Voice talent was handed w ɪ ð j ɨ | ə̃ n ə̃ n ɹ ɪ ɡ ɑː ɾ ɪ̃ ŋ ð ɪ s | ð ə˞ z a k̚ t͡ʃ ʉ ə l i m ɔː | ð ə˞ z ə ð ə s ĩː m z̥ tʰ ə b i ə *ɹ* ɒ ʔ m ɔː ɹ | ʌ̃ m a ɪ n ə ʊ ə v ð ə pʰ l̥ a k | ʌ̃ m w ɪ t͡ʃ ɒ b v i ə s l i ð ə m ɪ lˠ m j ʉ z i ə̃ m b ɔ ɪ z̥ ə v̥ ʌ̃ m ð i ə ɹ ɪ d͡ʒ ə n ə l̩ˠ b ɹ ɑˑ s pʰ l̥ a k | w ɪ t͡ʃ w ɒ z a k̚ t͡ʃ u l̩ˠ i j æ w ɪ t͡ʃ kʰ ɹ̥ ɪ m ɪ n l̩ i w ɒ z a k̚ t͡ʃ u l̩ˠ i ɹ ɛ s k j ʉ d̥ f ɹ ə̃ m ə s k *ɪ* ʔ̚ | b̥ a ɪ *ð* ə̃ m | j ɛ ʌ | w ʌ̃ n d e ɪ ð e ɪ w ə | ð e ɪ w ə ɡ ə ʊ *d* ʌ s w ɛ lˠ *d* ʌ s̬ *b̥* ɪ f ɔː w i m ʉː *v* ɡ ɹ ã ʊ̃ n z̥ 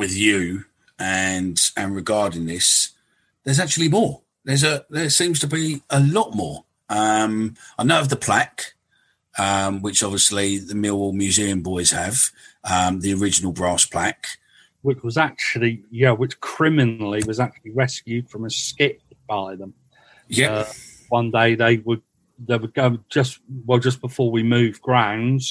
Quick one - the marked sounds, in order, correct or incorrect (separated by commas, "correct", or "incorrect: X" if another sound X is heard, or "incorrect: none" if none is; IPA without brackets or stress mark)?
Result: incorrect: l, correct, correct, incorrect: d͡ʒ, incorrect: d͡ʒ, correct, correct